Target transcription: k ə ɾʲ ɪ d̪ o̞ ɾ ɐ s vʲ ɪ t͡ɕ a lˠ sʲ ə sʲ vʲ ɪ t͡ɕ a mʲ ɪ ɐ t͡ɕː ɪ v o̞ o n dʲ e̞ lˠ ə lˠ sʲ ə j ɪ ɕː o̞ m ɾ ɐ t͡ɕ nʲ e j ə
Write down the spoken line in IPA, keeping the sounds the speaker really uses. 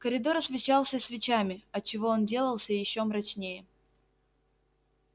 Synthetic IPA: k ə ɾʲ ɪ d̪ o̞ ɾ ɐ s vʲ ɪ t͡ɕ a lˠ sʲ ə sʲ vʲ ɪ t͡ɕ a mʲ ɪ ɐ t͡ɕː ɪ v o̞ o n dʲ e̞ lˠ ə lˠ sʲ ə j ɪ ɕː o̞ m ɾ ɐ t͡ɕ nʲ e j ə